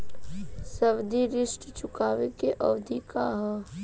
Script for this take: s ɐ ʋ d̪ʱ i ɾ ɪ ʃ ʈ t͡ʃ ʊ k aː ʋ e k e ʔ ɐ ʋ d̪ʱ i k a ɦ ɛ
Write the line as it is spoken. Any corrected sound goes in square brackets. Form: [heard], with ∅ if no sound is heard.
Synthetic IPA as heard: s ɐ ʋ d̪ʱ i ɾ ɪ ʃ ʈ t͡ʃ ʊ k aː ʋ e k e ʔ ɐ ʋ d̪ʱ i k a ɦ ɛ